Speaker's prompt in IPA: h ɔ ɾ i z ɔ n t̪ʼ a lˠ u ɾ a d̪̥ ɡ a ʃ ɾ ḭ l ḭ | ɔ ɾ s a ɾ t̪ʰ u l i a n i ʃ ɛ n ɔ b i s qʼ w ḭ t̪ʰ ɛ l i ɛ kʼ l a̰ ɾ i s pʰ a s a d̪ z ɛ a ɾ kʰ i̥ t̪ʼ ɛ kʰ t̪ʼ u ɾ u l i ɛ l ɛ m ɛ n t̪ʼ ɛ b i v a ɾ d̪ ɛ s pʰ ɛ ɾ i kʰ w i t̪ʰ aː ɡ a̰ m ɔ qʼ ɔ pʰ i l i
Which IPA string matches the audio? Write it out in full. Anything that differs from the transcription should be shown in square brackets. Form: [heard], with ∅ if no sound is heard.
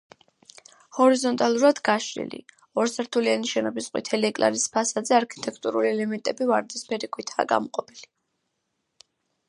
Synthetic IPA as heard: h ɔ ɾ i z ɔ n t̪ʼ a lˠ u ɾ a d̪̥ ɡ a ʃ ɾ ḭ l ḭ | ɔ ɾ s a ɾ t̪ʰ u l i a n i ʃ ɛ n ɔ b i s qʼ w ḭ t̪ʰ ɛ l i ɛ kʼ l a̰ ɾ i s pʰ a s a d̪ z ɛ a ɾ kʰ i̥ t̪ʼ ɛ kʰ t̪ʼ u ɾ u l i ɛ l ɛ m ɛ n t̪ʼ ɛ b i v a ɾ d̪ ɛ s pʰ ɛ ɾ i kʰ w i t̪ʰ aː ɡ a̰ m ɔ qʼ ɔ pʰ i l i